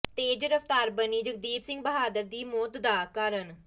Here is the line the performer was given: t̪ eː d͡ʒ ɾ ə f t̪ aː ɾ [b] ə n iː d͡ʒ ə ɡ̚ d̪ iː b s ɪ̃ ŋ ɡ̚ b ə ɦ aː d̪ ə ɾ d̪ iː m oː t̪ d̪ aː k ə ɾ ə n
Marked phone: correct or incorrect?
correct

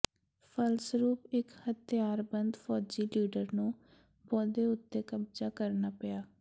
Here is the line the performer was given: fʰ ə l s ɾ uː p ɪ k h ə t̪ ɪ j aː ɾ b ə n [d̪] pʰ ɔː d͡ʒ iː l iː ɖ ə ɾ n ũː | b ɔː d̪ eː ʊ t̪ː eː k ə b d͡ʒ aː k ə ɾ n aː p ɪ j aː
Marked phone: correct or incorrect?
correct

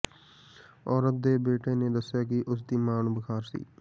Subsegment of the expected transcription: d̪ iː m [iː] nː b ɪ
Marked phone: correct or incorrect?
incorrect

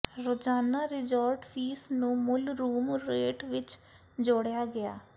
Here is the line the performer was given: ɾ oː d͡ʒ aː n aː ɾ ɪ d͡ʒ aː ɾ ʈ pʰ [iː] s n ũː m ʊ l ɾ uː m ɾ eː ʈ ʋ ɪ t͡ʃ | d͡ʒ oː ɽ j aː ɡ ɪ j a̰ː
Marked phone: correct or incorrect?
correct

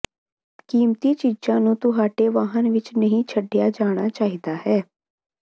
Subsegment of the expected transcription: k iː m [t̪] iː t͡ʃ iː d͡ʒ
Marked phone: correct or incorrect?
correct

